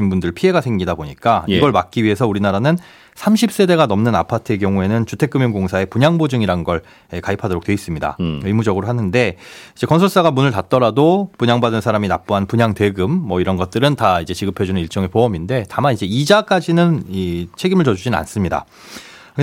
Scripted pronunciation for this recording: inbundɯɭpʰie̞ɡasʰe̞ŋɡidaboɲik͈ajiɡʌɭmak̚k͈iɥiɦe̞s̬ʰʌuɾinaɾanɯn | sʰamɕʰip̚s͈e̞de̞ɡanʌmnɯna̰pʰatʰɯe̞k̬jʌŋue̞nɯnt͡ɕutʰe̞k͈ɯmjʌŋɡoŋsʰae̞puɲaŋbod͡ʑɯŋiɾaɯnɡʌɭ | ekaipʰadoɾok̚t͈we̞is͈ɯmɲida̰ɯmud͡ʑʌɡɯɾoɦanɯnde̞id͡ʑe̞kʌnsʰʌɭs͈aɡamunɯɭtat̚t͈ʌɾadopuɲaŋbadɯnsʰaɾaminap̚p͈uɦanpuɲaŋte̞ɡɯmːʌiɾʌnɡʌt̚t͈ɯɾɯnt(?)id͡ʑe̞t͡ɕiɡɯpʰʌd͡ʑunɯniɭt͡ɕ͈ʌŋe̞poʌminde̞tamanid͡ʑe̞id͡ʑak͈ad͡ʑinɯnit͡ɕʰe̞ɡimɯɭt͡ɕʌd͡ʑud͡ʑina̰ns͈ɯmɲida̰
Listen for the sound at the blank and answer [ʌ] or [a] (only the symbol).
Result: a